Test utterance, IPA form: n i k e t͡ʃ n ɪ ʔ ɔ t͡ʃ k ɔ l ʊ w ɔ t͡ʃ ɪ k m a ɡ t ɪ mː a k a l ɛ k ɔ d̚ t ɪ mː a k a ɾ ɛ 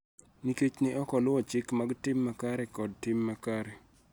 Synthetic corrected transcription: n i k e t͡ʃ n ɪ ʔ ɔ k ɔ l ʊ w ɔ t͡ʃ ɪ k m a ɡ t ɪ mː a k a ɾ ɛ k ɔ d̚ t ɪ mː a k a ɾ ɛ